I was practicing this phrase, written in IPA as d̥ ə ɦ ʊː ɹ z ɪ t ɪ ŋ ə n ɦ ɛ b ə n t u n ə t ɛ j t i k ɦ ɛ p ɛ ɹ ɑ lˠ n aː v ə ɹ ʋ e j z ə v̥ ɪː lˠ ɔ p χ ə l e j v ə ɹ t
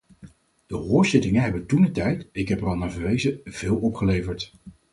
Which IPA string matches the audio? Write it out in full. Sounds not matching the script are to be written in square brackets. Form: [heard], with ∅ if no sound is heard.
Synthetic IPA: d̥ ə ɦ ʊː ɹ z ɪ t ɪ ŋ ə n ɦ ɛ b ə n t u n ə t ɛ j t [ɪ] k ɦ ɛ p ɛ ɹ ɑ lˠ n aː v ə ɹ ʋ e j z ə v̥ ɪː lˠ ɔ p χ ə l e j v ə ɹ t

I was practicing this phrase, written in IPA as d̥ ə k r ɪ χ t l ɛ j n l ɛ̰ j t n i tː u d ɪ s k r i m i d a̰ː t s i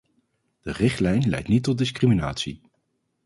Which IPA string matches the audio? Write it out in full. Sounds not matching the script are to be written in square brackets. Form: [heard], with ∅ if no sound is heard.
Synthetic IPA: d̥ ə [∅] r ɪ χ t l ɛ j n l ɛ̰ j t n i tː [ɔ] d ɪ s k r i m i [n] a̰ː t s i

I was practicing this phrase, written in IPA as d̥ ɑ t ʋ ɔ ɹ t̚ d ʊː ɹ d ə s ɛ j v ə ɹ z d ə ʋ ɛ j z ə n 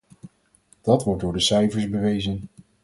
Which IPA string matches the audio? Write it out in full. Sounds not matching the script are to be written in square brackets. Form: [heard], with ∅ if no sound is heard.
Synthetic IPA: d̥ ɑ t ʋ ɔ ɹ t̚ d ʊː ɹ d ə s ɛ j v ə ɹ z [b] ə ʋ [e] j z ə n

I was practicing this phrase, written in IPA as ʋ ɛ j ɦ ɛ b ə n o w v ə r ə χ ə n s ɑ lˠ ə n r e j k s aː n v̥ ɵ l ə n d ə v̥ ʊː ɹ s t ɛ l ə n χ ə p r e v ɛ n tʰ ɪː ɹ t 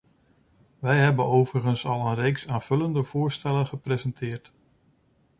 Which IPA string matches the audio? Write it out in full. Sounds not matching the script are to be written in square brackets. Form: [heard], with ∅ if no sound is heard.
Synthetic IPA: ʋ ɛ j ɦ ɛ b ə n o w v ə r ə χ ə n s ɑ lˠ ə n r e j k s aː n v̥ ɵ l ə n d ə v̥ ʊː ɹ s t ɛ l ə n χ ə p r e [z] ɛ n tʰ ɪː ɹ t

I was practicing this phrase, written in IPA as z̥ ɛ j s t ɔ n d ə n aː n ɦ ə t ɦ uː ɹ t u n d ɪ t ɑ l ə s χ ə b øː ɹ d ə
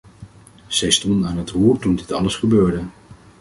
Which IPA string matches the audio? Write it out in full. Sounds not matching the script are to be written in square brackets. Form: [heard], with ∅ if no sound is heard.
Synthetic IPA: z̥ ɛ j s t ɔ n d ə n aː n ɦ ə t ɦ uː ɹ t u n d ɪ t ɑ l ə s χ ə b øː ɹ d ə

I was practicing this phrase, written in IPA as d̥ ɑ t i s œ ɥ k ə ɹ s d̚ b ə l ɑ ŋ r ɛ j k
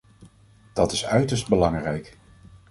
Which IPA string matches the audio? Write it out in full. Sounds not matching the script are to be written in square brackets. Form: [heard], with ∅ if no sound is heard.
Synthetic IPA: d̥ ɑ t [ɪ] s œ ɥ [t] ə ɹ s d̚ b ə l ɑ ŋ r ɛ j k

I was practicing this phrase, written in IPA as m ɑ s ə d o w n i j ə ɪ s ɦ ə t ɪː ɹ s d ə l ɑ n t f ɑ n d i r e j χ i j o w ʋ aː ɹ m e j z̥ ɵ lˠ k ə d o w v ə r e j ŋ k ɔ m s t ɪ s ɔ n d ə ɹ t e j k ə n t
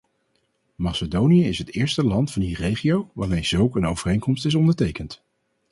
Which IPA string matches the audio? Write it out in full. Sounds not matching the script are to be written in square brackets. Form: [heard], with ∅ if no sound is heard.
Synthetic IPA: m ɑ s ə d o w n i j ə ɪ s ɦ ə t ɪː ɹ s [t] ə l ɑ n t f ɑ n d i r e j χ i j o w ʋ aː ɹ m e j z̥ ɵ lˠ k ə [n] o w v ə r e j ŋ k ɔ m s t ɪ s ɔ n d ə ɹ t e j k ə n t

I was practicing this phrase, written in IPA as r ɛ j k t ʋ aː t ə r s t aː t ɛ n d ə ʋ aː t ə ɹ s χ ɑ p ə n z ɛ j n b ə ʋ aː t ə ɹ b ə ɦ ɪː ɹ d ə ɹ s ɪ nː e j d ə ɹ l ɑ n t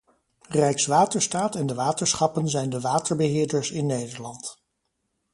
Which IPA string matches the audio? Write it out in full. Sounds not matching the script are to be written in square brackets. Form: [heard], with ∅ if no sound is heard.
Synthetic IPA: r ɛ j k [s] ʋ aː t ə [ɹ] s t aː t ɛ n d ə ʋ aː t ə ɹ s χ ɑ p ə n z ɛ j n [d] ə ʋ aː t ə ɹ b ə ɦ ɪː ɹ d ə ɹ s ɪ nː e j d ə ɹ l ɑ n t

